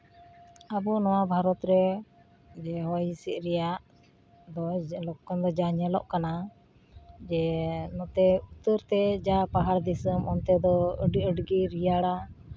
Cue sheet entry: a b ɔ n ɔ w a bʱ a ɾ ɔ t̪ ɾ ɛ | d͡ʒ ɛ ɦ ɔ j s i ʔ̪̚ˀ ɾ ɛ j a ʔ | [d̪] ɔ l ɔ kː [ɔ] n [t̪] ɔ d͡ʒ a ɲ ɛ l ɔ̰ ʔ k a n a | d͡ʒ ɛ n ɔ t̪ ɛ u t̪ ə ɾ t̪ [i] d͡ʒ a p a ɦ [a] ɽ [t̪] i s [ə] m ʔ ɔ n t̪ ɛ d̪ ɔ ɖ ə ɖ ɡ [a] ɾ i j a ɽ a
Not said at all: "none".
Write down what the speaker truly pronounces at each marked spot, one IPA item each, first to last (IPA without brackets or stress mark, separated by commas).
d̪, ɔ, d̪, ɛ, a, d̪, ə, i